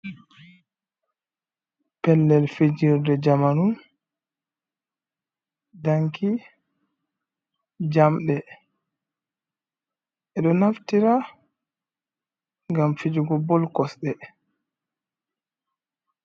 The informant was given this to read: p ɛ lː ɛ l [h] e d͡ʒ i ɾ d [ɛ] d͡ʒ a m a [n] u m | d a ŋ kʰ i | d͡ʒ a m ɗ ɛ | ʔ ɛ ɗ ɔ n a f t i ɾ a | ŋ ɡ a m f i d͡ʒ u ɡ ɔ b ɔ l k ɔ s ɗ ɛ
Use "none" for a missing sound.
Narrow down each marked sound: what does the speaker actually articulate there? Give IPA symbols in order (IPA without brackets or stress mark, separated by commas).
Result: f, ɛ, n